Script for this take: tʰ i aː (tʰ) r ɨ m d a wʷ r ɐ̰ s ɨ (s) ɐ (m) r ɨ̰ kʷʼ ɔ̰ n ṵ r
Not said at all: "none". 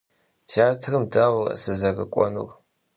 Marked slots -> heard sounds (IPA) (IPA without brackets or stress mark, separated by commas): tʰ, z, none